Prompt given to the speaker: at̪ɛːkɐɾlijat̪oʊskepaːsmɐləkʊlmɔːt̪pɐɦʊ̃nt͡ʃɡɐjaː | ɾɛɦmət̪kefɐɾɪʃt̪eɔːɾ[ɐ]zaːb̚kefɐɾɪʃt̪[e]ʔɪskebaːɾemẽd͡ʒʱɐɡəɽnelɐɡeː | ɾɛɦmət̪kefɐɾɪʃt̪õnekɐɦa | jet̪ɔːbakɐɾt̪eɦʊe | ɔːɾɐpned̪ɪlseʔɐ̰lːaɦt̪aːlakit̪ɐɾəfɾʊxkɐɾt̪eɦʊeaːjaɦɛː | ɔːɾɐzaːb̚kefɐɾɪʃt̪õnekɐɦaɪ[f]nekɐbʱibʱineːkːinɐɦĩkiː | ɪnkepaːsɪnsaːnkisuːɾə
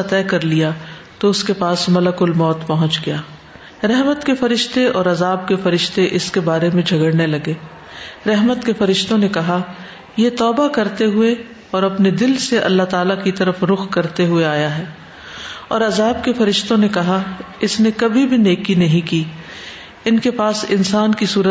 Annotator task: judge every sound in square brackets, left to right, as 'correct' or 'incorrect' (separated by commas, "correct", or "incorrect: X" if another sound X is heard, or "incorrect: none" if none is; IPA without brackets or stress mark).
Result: correct, correct, incorrect: s